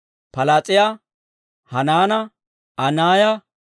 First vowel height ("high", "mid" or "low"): low